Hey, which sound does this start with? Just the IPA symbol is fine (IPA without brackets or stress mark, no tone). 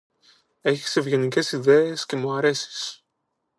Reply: e̞